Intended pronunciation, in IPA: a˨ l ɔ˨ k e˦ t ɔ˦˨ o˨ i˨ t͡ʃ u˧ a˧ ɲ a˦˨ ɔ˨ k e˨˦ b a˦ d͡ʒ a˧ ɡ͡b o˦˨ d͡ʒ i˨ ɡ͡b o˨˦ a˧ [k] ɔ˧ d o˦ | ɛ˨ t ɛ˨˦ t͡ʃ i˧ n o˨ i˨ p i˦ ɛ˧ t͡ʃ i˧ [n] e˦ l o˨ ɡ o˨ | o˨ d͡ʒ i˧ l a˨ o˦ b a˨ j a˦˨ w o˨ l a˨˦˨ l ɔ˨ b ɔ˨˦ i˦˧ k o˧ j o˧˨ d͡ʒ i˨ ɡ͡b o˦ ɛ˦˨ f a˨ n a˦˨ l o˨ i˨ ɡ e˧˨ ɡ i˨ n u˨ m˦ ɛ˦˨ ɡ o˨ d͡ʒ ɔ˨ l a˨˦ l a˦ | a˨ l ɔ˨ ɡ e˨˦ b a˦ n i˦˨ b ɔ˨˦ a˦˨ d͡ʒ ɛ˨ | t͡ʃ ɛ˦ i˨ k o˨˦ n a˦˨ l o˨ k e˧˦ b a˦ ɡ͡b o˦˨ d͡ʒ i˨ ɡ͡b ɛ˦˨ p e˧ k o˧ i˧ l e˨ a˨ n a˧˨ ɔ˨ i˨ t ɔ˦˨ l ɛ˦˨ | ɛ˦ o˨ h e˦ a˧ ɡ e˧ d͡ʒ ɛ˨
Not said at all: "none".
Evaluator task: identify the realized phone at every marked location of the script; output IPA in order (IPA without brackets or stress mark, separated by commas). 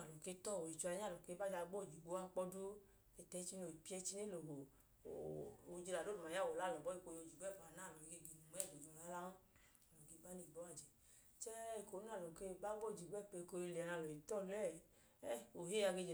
k͡p, n